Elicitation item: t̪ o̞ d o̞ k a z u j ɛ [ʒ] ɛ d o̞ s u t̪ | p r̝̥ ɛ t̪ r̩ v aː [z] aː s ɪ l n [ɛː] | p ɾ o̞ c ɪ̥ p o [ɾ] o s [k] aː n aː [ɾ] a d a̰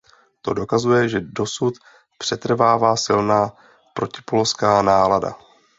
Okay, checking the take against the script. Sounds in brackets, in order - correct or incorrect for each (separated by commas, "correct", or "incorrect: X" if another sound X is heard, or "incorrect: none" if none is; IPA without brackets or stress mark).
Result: correct, incorrect: v, incorrect: aː, incorrect: l, correct, incorrect: l